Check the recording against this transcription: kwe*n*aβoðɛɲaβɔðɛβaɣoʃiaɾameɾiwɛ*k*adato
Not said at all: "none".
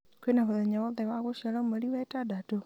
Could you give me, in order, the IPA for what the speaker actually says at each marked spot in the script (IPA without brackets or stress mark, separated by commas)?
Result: n, t